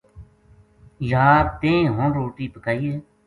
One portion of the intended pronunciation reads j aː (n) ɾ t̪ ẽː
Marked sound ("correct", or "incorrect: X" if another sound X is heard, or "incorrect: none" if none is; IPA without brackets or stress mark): incorrect: none